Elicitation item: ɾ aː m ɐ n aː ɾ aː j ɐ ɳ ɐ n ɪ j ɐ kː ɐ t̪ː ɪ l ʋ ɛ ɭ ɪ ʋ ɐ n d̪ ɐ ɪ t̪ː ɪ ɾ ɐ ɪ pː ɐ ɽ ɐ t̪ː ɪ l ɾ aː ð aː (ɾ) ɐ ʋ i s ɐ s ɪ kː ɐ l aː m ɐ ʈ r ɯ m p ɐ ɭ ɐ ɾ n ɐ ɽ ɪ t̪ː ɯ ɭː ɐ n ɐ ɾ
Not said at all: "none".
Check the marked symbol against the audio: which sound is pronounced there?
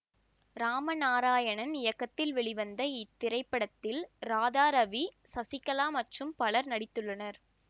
ɾ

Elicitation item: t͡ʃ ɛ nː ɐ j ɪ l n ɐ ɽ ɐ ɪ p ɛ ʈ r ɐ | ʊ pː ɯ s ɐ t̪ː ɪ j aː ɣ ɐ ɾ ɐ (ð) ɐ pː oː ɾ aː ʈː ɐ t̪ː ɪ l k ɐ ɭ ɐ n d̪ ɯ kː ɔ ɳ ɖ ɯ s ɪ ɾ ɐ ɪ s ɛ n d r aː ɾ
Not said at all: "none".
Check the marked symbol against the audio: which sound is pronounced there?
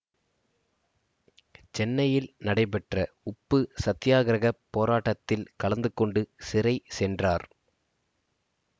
ɣ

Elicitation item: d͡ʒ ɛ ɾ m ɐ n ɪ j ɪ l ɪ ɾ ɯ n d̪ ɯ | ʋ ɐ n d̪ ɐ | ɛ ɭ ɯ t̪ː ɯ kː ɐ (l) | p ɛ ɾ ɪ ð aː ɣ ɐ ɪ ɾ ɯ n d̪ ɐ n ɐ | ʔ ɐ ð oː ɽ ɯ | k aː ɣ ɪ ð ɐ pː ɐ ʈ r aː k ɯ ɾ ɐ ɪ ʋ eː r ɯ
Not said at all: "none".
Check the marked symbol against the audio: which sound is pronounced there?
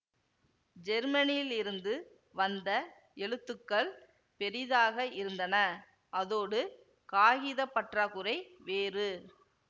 ɭ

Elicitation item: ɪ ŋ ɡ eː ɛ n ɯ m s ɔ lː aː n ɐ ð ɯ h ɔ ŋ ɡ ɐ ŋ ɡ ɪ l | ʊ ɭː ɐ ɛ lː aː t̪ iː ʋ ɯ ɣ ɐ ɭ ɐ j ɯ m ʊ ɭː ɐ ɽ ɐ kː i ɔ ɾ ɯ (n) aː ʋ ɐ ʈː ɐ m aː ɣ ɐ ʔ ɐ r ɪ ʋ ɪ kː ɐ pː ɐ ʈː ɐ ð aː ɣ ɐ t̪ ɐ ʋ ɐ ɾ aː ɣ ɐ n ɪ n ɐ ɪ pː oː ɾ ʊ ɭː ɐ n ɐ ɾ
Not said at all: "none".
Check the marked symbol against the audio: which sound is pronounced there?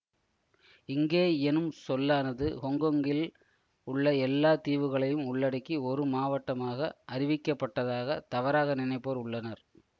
m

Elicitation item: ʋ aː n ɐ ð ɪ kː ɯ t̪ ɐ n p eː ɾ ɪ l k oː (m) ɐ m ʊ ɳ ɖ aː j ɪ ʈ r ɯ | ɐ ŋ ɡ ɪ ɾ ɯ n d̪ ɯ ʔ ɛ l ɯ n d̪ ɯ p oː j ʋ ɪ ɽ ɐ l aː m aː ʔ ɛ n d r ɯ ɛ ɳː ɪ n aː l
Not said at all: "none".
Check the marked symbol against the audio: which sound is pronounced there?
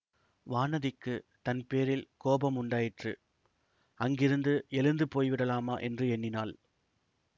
b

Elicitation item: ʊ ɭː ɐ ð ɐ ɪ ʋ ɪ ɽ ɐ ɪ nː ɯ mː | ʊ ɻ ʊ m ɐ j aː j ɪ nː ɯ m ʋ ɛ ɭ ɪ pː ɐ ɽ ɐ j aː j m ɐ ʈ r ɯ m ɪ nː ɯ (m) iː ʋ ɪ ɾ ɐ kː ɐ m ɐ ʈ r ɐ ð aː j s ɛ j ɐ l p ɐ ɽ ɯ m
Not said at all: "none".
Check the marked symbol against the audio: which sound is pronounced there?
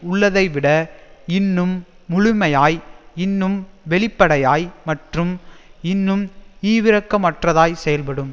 m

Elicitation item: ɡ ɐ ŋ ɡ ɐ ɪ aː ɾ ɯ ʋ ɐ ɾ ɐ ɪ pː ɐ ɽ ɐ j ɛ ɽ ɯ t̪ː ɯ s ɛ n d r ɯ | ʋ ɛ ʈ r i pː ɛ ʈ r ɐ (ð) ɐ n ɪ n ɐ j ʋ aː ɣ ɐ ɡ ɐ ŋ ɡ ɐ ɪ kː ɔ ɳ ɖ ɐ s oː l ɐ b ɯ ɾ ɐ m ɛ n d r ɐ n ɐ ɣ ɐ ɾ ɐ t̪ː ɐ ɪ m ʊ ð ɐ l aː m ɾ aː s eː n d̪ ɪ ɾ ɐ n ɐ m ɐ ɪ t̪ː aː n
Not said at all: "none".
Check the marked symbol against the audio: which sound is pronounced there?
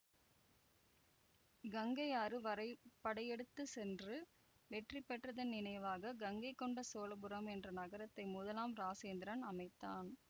ð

